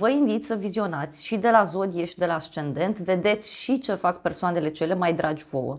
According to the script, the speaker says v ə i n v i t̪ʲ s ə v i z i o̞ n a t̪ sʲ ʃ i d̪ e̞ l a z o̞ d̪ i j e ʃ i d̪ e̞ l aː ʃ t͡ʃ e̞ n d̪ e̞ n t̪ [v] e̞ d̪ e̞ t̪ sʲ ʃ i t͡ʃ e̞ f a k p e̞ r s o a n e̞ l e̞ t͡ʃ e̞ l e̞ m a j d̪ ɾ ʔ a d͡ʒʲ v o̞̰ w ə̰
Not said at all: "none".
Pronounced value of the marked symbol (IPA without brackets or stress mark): v